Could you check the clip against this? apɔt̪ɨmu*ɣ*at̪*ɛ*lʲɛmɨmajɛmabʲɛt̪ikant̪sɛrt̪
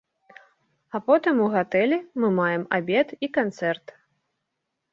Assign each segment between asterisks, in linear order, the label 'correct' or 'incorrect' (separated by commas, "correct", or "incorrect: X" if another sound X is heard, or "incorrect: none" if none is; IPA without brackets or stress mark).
correct, correct